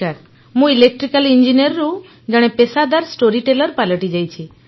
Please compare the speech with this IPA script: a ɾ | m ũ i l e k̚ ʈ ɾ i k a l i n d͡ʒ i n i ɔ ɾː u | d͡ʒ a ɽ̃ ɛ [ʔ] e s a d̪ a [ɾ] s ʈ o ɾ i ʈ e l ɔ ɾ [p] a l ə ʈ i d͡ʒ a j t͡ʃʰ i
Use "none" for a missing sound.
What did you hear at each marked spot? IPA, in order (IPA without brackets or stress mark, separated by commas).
p, ɾ, p